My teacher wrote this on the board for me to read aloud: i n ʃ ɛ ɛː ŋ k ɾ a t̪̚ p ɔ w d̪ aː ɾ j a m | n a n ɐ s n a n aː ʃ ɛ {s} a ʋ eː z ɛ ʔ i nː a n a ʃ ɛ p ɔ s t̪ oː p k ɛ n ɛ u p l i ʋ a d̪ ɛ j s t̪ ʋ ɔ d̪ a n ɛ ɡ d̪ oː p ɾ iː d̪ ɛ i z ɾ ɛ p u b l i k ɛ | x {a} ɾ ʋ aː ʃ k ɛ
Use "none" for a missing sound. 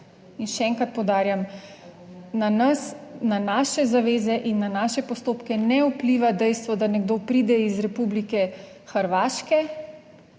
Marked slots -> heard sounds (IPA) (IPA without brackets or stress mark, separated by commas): z, ə